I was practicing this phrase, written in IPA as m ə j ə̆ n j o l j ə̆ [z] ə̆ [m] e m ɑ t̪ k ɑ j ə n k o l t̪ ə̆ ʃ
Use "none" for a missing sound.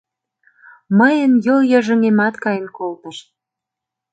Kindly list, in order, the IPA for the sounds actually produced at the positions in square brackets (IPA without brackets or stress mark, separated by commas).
ʒ, ŋ